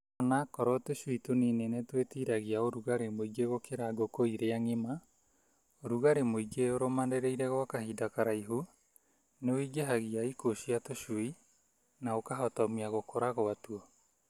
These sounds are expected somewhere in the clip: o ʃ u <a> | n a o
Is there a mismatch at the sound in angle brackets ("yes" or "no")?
yes